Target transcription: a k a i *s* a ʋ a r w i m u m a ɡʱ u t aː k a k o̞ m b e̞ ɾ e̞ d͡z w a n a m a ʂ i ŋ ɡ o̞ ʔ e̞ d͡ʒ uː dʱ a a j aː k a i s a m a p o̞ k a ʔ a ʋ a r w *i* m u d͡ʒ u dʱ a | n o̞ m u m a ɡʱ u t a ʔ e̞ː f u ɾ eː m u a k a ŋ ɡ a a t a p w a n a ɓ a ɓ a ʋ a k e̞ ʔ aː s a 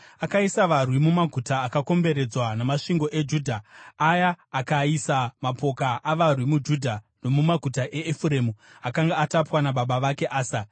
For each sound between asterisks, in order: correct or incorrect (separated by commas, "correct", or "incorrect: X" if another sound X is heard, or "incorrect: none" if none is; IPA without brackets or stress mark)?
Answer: correct, correct